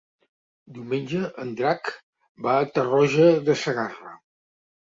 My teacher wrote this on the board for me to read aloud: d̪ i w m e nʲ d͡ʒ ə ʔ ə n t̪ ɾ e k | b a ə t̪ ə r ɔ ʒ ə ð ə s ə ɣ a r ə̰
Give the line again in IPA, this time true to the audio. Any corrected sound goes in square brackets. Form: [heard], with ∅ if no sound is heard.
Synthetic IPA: d̪ i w m e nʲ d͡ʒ ə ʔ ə n [d̪] ɾ [a] k | b a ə t̪ ə r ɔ ʒ ə ð ə s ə ɣ a r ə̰